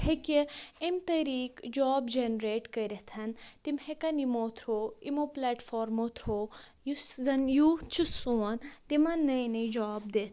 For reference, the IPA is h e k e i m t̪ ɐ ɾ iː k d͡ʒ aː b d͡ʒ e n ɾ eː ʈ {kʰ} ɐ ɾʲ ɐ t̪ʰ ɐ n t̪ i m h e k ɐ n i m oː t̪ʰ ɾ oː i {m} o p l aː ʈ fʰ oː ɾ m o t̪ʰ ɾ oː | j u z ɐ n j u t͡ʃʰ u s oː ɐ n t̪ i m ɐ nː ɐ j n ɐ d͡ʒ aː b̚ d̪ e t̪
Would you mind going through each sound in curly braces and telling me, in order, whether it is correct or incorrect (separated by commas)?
incorrect, correct